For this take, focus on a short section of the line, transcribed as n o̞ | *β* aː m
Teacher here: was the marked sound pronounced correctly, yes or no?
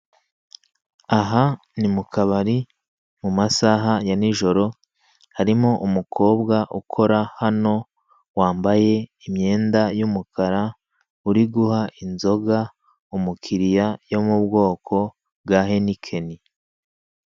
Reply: no